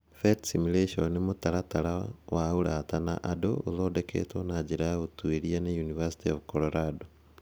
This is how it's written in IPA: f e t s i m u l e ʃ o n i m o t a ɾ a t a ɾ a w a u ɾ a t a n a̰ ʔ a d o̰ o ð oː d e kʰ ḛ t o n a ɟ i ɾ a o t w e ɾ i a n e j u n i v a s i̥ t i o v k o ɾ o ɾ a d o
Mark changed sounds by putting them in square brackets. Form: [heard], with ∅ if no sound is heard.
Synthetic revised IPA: f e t s i m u l e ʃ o n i m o t a ɾ a t a ɾ a w a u ɾ a t a n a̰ ʔ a d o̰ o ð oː d e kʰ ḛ t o n a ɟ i ɾ a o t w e ɾ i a n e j u n i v a s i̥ t i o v k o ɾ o ɾ a d o